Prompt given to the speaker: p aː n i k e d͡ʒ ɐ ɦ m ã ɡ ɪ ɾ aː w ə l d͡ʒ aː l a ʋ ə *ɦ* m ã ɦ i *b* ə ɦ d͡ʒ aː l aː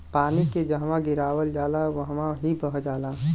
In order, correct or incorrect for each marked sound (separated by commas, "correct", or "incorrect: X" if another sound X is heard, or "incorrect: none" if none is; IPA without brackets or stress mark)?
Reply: correct, correct